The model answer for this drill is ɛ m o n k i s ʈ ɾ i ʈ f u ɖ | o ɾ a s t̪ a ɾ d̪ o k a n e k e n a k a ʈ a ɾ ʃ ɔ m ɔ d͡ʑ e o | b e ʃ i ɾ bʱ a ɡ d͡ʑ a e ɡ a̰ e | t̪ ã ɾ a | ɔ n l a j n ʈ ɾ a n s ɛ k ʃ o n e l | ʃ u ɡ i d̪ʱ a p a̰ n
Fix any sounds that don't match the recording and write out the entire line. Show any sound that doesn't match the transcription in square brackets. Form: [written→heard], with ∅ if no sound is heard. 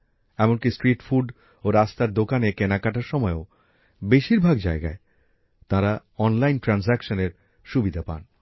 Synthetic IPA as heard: ɛ m o n k i s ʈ ɾ i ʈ f u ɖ | o ɾ a s t̪ a ɾ d̪ o k a n e k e n a k a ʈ a ɾ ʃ ɔ m ɔ [d͡ʑ→∅] e o | b e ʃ i ɾ bʱ a ɡ d͡ʑ a e ɡ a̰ e | t̪ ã ɾ a | ɔ n l a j n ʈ ɾ a n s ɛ k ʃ o n e [l→ɾ] | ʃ u [ɡ→b] i d̪ʱ a p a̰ n

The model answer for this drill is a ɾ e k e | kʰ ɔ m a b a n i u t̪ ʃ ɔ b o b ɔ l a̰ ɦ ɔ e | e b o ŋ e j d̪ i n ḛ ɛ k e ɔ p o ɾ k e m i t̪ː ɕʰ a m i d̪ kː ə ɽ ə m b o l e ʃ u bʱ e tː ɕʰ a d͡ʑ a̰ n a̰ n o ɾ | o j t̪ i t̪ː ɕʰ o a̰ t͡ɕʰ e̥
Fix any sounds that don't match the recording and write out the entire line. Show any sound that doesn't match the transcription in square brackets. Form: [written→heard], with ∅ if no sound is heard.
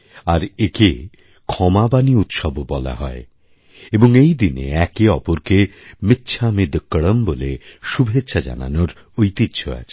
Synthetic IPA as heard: a ɾ e k e | kʰ ɔ m a b a n i u t̪ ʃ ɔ b o b ɔ l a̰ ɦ ɔ e | e b o ŋ e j d̪ i n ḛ ɛ k e ɔ p o ɾ k e m i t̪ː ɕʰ a m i d̪ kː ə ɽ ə m b o l e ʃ u bʱ e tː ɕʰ a d͡ʑ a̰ n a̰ n o ɾ | o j t̪ i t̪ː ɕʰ o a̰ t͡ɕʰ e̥

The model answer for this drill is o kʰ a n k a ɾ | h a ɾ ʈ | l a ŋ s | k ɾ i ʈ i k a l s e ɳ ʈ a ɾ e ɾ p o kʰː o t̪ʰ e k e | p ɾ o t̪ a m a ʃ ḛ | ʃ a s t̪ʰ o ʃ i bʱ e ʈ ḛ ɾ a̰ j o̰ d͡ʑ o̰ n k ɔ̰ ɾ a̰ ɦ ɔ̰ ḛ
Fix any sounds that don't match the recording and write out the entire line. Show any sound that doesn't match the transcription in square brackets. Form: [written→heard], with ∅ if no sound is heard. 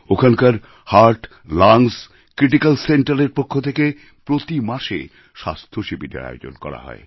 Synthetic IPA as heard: o kʰ a n k a ɾ | h a ɾ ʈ | l a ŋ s | k ɾ i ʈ i k a l s e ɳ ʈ a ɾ e ɾ p o kʰː o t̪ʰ e k e | p ɾ o t̪ [a→i] m a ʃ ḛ | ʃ a s t̪ʰ o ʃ i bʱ [e→i] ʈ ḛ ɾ a̰ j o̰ d͡ʑ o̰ n k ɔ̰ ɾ a̰ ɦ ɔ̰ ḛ

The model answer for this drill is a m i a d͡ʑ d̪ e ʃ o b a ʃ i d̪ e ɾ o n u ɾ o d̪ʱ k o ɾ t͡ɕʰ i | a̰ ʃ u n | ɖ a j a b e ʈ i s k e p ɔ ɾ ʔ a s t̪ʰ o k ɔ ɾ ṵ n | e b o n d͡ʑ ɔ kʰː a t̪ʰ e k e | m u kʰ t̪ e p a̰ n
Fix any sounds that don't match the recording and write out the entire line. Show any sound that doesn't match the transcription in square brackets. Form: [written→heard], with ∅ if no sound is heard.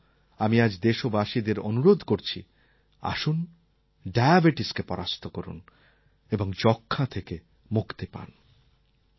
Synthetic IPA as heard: a m i a d͡ʑ d̪ e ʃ o b a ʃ i d̪ e ɾ o n u ɾ o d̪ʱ k o ɾ t͡ɕʰ i | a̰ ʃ u n | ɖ a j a b e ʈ i s k e p ɔ ɾ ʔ a s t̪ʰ o k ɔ ɾ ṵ n | e b o [n→ŋ] d͡ʑ ɔ kʰː a t̪ʰ e k e | m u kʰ t̪ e p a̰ n

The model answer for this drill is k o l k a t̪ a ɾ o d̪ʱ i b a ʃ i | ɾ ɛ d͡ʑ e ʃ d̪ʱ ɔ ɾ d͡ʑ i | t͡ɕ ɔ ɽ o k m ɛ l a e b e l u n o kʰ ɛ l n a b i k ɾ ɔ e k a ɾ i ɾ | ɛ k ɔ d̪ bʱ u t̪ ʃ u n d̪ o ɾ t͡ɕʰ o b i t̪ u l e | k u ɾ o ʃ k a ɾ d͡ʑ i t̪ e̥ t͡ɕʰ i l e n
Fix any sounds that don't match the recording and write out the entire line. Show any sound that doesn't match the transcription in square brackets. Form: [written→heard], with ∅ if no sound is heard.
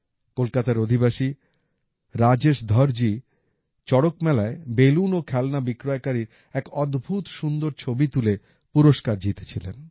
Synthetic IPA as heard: k o l k a t̪ a ɾ o d̪ʱ i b a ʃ i | ɾ [ɛ→a] d͡ʑ e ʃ d̪ʱ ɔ ɾ d͡ʑ i | t͡ɕ ɔ ɽ o k m ɛ l a e b e l u n o kʰ ɛ l n a b i k ɾ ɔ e k a ɾ i ɾ | ɛ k ɔ d̪ bʱ u t̪ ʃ u n d̪ o ɾ t͡ɕʰ o b i t̪ u l e | [k→p] u ɾ o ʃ k a ɾ d͡ʑ i t̪ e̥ t͡ɕʰ i l e n

